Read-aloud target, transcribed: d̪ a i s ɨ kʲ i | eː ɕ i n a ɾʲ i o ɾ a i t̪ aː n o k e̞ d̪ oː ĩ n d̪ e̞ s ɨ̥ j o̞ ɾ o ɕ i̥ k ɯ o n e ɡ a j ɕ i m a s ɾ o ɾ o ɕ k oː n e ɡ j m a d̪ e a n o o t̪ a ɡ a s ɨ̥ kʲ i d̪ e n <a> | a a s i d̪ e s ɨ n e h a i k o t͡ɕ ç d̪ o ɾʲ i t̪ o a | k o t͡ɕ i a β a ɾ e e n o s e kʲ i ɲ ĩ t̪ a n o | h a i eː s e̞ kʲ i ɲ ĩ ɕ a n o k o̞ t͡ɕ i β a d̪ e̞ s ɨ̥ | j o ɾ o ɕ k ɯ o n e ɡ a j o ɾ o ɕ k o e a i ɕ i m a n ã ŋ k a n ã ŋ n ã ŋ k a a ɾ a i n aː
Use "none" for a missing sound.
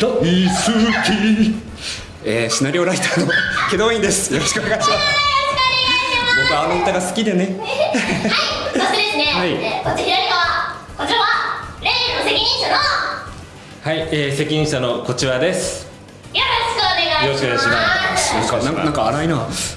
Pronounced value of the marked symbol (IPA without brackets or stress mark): e